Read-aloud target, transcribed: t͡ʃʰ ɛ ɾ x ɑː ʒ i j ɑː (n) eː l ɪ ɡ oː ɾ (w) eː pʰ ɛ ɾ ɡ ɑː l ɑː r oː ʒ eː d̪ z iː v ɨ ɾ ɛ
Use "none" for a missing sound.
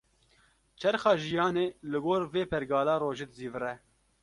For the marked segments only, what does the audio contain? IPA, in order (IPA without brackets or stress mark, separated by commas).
n, v